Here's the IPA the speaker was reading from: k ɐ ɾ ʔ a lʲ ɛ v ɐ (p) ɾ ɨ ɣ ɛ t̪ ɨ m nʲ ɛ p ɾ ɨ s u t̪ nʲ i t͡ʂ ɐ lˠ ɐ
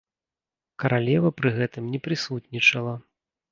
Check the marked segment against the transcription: correct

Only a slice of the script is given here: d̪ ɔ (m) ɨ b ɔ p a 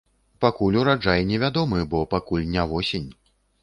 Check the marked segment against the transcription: correct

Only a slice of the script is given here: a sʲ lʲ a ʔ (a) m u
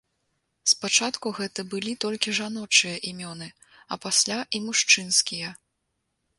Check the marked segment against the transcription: incorrect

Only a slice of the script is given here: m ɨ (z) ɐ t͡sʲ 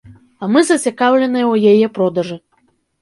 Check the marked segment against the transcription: correct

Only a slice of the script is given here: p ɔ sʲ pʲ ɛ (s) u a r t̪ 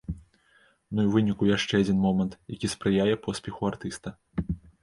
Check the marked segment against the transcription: incorrect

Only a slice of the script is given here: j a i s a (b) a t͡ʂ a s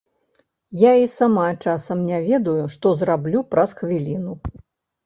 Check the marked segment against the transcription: incorrect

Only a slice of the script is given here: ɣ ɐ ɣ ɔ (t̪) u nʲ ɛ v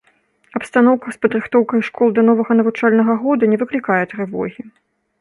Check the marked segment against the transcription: incorrect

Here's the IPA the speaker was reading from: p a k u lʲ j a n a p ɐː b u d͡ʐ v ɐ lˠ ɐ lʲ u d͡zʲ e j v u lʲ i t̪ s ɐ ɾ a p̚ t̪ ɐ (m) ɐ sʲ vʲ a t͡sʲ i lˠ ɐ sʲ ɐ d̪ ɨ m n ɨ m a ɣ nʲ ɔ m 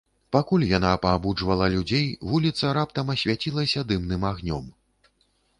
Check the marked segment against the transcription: correct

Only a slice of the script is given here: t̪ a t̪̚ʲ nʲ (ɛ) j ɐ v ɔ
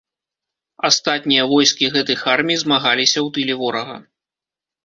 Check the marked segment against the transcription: incorrect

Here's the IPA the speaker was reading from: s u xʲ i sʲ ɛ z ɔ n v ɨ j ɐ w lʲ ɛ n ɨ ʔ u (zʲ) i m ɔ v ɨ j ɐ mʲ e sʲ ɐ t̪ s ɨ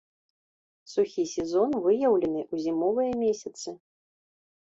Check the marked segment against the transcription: correct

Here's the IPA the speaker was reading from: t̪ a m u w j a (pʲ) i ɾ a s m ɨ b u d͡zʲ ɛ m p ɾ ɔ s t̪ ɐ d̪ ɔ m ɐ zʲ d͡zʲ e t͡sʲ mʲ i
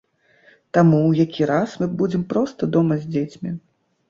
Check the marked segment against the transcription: incorrect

